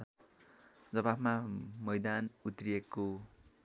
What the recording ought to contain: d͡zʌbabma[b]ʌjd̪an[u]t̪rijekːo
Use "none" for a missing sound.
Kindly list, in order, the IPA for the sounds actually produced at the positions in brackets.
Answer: m, u

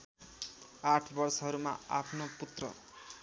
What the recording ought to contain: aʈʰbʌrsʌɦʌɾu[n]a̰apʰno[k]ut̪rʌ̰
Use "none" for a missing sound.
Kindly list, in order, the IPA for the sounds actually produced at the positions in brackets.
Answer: m, p

